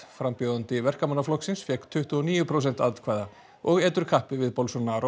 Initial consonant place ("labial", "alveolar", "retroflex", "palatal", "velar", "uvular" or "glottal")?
labial